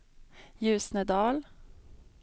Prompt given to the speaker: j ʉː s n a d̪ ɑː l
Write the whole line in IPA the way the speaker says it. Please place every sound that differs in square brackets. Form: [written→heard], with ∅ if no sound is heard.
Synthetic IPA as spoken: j ʉː s n [a→ə] d̪ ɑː l